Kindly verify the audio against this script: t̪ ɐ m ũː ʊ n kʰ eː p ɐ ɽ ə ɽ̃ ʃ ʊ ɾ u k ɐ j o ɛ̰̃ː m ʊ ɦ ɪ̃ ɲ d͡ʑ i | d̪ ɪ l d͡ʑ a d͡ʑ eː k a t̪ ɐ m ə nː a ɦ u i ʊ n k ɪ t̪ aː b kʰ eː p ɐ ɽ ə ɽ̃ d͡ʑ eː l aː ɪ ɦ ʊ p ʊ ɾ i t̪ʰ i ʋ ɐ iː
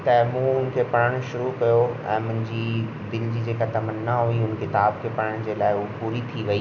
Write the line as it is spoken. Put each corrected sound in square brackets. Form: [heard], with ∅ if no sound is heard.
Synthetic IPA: t̪ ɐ m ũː ʊ n kʰ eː p ɐ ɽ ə ɽ̃ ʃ ʊ ɾ u k ɐ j o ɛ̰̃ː m [ʊ̃] ɦ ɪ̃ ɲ d͡ʑ i | d̪ ɪ l d͡ʑ [i] d͡ʑ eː k a t̪ ɐ m ə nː a ɦ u i ʊ n k ɪ t̪ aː b kʰ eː p ɐ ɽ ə ɽ̃ d͡ʑ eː l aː ɪ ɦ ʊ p ʊ ɾ i t̪ʰ i ʋ ɐ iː

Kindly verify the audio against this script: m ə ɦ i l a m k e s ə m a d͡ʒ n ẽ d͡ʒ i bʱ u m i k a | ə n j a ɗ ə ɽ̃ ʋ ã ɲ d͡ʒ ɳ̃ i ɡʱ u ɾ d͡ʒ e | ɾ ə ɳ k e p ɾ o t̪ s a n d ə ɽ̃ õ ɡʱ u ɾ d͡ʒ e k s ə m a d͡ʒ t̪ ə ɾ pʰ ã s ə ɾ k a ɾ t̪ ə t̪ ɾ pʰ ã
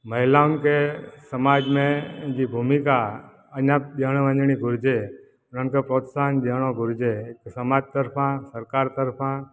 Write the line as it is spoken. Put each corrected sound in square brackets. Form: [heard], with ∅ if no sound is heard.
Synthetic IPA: m ə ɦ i l a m k e s ə m a d͡ʒ [m] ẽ d͡ʒ i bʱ u m i k a | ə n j a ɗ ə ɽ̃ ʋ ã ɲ d͡ʒ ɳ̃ i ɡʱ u ɾ d͡ʒ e | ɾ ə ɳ k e p ɾ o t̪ s a n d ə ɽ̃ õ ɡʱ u ɾ d͡ʒ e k s ə m a d͡ʒ t̪ ə ɾ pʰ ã s ə ɾ k a ɾ t̪ ə [∅] ɾ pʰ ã

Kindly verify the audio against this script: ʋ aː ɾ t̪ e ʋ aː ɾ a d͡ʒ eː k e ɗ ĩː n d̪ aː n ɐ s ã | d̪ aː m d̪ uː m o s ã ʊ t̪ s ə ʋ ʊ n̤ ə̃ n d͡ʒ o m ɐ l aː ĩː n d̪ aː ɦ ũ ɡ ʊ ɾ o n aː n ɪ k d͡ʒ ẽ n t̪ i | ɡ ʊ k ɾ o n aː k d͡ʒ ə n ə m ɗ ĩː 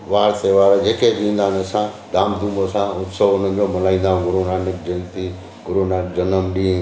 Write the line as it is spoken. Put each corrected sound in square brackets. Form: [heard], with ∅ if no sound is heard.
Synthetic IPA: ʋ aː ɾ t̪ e ʋ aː ɾ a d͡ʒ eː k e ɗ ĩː n d̪ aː n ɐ s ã | d̪ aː m d̪ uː m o s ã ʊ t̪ s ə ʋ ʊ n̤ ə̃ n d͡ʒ o m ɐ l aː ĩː n d̪ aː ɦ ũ ɡ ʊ ɾ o n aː n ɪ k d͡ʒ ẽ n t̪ i | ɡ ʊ [∅] ɾ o n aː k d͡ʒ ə n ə m ɗ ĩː

